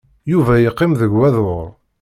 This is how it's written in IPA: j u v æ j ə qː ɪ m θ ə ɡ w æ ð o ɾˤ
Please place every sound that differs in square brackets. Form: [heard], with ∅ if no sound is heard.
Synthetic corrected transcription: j u v æ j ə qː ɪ m [ð] ə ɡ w æ ð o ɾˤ